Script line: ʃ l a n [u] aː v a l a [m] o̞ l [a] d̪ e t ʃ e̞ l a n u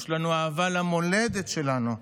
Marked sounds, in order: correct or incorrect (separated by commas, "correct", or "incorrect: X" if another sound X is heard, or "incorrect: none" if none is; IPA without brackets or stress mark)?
correct, correct, incorrect: e